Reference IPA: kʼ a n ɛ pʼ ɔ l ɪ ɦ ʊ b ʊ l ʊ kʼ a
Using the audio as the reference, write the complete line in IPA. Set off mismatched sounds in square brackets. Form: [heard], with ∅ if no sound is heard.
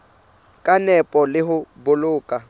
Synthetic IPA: kʼ a n ɛ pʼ ɔ l ɪ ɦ ʊ b ʊ l [ʊː] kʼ a